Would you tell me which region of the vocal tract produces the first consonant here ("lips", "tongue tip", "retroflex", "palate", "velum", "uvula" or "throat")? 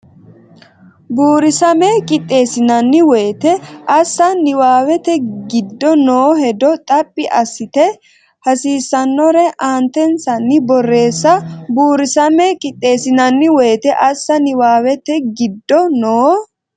lips